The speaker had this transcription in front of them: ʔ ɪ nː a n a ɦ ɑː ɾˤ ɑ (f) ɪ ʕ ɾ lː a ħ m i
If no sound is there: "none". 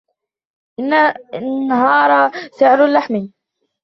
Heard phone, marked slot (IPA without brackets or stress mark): s